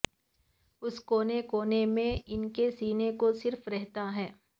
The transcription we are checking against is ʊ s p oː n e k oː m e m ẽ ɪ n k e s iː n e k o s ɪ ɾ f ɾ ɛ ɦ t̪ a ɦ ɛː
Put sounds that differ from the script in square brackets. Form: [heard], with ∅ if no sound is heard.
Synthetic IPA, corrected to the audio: ʊ s [k] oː n e k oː [n] e m ẽ ɪ n k e s iː n e k o s ɪ ɾ f ɾ ɛ ɦ t̪ a ɦ ɛː